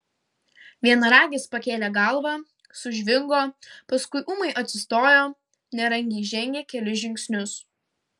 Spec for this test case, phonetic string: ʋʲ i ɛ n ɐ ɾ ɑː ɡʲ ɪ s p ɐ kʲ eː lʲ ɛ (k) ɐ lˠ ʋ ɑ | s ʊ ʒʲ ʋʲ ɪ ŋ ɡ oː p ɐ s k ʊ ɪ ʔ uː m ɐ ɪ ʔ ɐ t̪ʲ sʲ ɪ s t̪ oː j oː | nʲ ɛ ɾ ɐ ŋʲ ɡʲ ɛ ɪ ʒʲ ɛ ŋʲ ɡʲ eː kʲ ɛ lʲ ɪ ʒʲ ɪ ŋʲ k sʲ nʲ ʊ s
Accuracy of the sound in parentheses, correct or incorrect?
incorrect